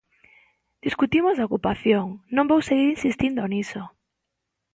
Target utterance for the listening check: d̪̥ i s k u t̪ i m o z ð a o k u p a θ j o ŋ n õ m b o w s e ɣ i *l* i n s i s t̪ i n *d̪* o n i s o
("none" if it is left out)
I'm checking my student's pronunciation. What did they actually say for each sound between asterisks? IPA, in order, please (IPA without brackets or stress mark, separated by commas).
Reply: ɾ, d̪